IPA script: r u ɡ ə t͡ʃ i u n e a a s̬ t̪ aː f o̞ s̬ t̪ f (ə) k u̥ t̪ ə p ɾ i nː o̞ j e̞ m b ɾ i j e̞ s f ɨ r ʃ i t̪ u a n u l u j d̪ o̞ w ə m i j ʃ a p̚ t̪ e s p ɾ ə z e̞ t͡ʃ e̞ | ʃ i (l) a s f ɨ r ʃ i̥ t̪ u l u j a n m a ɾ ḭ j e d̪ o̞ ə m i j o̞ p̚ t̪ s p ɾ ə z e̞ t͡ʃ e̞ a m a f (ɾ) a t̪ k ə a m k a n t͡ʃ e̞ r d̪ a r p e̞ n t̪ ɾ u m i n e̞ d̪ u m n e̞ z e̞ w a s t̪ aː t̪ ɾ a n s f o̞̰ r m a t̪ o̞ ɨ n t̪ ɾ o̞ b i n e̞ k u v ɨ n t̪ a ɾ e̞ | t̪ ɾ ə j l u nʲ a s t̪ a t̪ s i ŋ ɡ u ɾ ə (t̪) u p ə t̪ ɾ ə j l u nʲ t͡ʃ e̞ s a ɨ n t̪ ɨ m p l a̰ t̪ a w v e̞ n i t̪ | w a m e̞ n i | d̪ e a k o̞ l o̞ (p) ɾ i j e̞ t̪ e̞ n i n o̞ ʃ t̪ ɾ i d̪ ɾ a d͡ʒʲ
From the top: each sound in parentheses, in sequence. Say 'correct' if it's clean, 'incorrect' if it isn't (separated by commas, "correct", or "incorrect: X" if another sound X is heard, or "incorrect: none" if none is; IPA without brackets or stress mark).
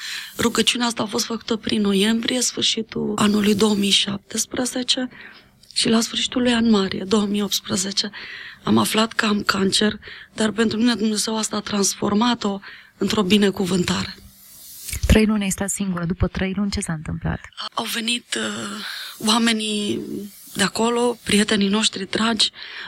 correct, correct, incorrect: l, incorrect: d̪, correct